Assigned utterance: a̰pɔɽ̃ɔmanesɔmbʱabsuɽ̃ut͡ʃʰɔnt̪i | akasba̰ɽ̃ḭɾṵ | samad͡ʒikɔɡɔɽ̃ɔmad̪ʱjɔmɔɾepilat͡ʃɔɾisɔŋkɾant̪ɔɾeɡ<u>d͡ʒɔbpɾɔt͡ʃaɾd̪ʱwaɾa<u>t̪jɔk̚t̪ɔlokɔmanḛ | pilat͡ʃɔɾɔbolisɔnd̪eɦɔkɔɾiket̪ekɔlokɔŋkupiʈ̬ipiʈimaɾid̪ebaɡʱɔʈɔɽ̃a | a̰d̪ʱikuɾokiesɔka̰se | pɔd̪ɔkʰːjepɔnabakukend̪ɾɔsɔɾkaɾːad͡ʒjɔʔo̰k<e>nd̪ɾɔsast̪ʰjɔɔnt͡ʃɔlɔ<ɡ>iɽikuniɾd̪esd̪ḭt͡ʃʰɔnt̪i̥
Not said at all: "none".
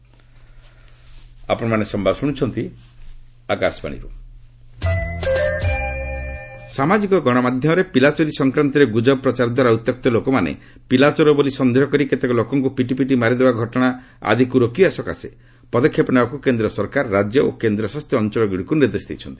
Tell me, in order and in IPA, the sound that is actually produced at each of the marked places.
u, u, e, ɡ

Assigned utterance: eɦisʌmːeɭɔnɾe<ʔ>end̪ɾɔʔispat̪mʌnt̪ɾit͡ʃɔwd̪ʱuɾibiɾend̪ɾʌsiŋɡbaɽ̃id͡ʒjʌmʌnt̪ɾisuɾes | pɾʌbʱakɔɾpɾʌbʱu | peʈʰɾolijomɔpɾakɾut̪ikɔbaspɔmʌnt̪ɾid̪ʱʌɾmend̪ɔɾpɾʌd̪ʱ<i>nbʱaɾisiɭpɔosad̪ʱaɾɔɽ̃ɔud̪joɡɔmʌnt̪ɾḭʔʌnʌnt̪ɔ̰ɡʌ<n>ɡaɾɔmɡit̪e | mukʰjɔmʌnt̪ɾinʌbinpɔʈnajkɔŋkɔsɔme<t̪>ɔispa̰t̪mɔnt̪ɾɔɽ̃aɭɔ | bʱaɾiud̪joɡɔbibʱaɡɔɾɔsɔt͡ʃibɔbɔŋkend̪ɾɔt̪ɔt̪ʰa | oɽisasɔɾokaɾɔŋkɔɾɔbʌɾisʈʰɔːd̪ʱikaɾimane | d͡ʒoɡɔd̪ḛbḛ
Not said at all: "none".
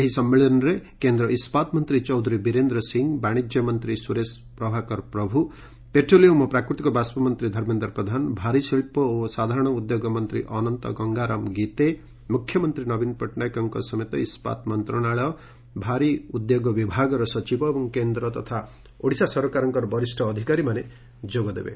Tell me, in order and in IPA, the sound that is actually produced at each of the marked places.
k, a, ŋ, t̪

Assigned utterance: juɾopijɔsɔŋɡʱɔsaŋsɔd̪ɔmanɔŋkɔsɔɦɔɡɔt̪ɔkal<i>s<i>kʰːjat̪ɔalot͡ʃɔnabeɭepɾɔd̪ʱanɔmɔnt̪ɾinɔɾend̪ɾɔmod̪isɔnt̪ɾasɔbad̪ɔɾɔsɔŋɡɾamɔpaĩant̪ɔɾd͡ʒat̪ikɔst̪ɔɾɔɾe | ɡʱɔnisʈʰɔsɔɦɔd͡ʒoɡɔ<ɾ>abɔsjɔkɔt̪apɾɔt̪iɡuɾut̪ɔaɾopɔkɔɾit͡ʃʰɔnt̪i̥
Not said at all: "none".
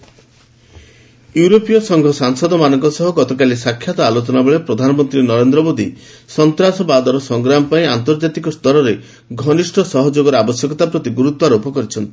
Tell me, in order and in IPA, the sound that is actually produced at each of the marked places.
i, a, ɾ

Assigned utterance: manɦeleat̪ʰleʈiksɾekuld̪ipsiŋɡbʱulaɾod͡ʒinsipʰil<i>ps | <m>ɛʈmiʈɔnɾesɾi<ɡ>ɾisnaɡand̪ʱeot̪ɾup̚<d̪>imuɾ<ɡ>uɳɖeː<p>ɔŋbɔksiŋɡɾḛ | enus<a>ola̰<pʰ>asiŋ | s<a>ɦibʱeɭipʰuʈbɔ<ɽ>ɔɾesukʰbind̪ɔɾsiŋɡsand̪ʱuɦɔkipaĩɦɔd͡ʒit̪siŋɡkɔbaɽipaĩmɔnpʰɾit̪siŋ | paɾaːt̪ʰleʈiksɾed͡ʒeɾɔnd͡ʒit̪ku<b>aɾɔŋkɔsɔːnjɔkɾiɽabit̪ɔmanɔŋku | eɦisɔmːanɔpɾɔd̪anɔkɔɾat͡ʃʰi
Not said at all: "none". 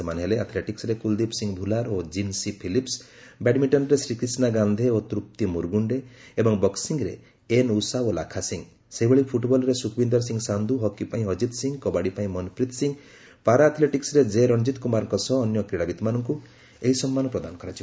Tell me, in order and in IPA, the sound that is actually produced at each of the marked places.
i, b, k, t̪, ɡ, b, a, kʰ, e, l, m

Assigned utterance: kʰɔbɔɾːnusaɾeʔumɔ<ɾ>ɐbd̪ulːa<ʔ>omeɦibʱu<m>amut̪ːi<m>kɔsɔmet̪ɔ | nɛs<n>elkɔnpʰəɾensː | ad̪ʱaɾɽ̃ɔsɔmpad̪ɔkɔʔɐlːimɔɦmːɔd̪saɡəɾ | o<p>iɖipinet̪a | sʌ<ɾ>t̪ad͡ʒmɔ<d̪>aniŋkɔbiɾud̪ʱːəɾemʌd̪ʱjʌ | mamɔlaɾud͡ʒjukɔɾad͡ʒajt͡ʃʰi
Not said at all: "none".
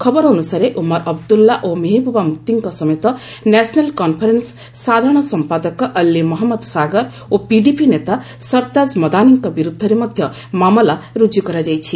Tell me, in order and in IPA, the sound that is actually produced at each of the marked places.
ɾ, ʔ, b, ŋ, n, p, ɾ, d̪

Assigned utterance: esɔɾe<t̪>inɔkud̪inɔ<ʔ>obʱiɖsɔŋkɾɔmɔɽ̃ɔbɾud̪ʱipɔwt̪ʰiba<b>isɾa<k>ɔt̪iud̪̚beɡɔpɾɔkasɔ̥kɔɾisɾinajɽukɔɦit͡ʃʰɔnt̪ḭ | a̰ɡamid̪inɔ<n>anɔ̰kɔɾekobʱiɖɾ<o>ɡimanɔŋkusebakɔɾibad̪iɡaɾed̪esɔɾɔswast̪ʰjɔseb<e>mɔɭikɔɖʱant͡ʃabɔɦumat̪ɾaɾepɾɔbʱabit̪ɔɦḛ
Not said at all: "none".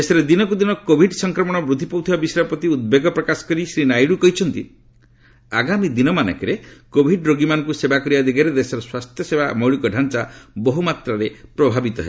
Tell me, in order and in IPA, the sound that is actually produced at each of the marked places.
d̪, k, b, p, m, o, a

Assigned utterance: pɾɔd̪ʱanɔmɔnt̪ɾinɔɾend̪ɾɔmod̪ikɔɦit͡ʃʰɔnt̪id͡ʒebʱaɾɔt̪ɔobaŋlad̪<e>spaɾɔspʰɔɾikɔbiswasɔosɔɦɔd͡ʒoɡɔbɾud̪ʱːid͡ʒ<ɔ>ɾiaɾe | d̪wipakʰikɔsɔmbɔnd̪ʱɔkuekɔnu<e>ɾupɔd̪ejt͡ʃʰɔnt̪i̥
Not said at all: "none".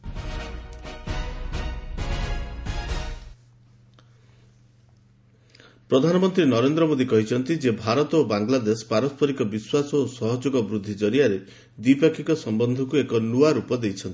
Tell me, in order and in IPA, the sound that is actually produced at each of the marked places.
e, ɔ, a

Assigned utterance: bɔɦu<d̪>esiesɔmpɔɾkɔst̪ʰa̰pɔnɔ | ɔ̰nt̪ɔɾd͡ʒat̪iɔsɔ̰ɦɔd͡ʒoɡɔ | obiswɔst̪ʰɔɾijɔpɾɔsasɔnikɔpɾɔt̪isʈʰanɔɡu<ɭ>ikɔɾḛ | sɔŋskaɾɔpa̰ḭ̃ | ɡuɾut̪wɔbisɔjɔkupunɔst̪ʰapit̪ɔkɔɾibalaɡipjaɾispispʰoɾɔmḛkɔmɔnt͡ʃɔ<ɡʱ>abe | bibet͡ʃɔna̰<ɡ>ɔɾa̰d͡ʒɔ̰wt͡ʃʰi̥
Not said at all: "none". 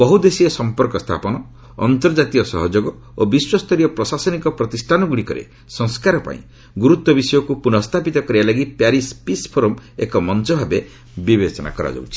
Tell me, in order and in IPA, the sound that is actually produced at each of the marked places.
d̪, ɽ, bʱ, k

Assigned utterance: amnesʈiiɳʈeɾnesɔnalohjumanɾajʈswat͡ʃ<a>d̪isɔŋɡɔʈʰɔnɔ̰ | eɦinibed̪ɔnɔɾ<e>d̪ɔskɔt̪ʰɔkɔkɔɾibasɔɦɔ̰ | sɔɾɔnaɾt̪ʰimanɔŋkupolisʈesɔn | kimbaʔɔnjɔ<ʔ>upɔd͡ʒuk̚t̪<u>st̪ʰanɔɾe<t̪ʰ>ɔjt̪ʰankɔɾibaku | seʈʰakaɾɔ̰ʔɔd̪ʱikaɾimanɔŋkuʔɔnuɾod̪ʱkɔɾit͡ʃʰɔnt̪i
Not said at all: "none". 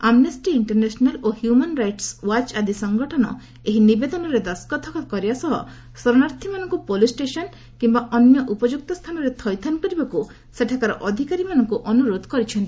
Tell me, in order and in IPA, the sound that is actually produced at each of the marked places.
a, e, ʔ, ɔ, t̪ʰ

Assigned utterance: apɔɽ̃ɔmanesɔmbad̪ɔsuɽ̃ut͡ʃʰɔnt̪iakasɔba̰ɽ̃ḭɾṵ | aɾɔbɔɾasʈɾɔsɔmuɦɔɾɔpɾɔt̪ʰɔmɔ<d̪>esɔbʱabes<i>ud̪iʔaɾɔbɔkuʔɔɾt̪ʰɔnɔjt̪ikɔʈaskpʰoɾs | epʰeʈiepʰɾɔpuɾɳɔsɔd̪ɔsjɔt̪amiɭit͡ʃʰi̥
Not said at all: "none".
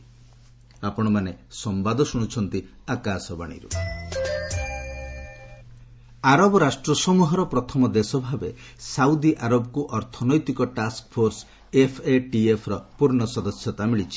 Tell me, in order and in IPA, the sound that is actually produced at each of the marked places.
d̪, a

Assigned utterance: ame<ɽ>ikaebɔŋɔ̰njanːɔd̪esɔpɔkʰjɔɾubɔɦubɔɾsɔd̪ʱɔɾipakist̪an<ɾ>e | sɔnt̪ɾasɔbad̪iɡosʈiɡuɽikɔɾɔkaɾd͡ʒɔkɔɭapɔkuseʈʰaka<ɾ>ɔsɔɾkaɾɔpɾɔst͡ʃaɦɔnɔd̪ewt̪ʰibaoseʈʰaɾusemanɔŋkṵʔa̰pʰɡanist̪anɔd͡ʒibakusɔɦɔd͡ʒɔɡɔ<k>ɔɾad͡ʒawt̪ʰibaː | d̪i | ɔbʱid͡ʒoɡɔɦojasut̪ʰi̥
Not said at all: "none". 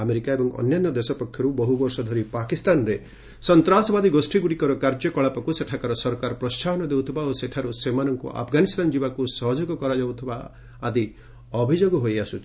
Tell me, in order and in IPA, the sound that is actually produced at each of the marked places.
ɾ, ɾ, ɾ, k

